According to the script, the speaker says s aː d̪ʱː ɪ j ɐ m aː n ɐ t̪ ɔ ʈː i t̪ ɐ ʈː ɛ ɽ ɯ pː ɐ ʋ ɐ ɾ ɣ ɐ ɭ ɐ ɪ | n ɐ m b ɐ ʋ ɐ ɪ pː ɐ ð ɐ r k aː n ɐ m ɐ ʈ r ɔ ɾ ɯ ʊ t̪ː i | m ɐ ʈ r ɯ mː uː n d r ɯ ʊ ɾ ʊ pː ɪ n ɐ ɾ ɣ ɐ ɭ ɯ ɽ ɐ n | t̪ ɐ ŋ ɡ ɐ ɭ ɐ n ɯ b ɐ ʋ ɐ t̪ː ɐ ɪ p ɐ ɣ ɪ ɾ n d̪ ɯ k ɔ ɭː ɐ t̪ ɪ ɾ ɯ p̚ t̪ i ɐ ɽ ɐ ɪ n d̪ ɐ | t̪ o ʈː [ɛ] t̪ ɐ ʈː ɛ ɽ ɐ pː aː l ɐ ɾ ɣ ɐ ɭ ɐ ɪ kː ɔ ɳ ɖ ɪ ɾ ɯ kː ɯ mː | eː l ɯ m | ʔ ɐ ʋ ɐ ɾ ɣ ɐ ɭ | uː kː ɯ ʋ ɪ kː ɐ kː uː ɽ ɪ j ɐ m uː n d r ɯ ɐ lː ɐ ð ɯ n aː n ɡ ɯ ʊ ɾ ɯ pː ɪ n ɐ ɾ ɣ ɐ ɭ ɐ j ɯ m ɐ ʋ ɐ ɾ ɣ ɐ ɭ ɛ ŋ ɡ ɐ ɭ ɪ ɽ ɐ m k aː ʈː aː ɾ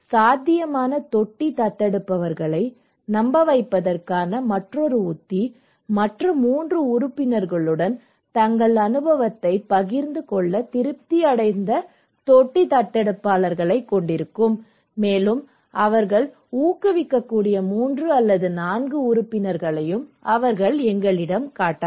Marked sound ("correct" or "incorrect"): incorrect